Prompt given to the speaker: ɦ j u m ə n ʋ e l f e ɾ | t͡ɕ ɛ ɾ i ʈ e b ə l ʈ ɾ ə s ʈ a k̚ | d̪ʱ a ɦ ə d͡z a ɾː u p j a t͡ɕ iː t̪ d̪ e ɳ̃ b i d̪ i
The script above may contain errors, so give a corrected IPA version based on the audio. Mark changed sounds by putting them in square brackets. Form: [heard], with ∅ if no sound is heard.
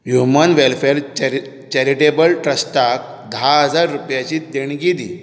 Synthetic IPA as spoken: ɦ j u m ə n ʋ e l f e ɾ | t͡ɕ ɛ ɾ i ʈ e b ə l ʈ ɾ ə s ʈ a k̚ | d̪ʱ a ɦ ə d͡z a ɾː u p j a t͡ɕ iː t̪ d̪ e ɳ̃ [ɡ] i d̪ i